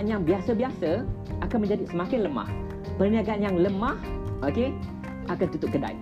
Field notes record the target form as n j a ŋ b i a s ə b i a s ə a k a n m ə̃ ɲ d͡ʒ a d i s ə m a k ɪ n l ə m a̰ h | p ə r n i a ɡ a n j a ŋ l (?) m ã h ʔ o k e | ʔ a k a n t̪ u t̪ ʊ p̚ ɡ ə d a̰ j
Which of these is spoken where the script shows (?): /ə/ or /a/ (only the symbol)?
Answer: ə